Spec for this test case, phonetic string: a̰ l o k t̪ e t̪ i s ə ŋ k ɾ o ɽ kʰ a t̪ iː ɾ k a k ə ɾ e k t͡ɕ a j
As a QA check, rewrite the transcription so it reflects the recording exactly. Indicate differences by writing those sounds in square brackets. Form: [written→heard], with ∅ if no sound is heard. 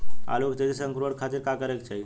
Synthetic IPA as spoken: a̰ l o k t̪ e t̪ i s ə ŋ k ɾ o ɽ kʰ a t̪ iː ɾ k a k ə ɾ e k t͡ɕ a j